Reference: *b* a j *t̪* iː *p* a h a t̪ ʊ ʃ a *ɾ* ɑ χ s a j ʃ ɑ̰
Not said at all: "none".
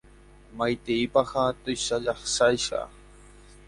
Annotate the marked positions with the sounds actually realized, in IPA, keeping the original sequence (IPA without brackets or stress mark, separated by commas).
m, t̪, p, ʎ